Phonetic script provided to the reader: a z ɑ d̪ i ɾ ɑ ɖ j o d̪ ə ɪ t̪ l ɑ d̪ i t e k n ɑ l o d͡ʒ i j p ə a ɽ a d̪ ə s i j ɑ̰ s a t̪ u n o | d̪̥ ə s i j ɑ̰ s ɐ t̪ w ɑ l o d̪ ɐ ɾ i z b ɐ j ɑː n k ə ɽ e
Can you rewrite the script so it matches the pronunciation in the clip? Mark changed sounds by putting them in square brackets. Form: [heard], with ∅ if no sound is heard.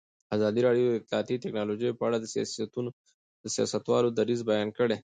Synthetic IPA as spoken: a z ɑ d̪ i ɾ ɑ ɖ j o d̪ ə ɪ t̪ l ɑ [t̪] i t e k n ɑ l o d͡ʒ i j p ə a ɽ a d̪ ə s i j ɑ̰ s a t̪ u n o | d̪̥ ə s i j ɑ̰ s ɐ t̪ w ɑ l o d̪ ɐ ɾ i z b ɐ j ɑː n k ə ɽ e